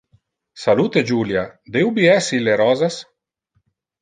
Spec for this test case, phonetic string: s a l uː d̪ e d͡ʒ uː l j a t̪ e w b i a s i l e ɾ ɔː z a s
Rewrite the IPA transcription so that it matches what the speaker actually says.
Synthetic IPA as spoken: s a l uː t̪ e d͡ʒ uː l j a d̪ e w b i ɛ s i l e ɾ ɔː z a s